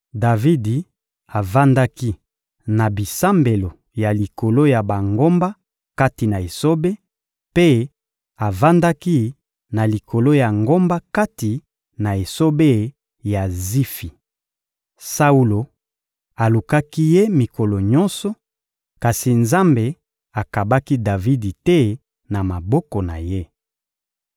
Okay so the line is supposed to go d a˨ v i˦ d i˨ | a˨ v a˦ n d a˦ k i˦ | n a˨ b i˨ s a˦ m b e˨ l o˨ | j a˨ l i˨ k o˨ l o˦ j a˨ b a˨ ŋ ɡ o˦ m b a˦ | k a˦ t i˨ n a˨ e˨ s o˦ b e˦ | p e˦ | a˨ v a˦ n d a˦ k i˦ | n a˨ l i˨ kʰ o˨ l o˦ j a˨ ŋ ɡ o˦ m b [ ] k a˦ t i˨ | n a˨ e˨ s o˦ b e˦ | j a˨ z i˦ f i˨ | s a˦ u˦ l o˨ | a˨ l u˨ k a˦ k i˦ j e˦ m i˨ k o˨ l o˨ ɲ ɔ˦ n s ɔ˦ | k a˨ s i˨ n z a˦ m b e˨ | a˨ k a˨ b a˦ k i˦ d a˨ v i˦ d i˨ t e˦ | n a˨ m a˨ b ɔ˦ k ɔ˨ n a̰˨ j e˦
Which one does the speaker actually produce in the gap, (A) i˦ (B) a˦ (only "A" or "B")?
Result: B